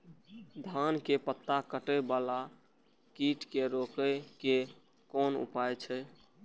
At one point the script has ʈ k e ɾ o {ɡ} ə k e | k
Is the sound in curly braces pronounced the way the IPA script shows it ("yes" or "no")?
no